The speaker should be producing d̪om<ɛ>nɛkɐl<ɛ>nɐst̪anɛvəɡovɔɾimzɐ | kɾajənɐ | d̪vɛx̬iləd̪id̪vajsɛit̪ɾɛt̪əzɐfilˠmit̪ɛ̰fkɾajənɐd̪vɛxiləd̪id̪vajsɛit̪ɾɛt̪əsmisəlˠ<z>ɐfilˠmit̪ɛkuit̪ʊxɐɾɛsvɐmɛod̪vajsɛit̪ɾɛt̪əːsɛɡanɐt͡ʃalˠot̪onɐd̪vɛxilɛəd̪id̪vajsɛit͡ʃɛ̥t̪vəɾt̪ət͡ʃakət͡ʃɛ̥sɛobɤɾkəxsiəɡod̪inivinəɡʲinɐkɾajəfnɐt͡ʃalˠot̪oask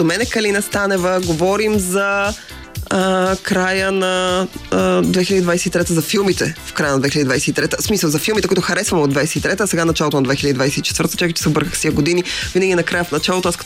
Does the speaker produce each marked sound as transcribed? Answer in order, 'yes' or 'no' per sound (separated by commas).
yes, no, yes